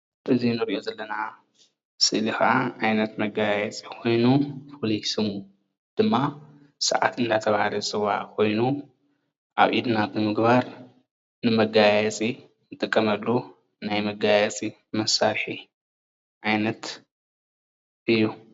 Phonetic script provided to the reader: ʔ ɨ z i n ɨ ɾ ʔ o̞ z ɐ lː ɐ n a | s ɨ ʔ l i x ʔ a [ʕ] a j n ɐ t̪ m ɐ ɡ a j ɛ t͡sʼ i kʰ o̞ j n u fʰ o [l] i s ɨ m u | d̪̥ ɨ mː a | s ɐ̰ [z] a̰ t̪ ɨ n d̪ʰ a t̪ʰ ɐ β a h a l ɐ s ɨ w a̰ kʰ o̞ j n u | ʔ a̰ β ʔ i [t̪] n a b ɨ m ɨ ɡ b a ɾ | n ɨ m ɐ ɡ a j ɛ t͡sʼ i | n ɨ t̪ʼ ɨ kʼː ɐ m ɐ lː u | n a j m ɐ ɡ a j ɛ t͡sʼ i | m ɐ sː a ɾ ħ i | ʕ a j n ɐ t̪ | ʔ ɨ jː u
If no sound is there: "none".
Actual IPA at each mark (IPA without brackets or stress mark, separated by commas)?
ʕ, l, ʕ, d̪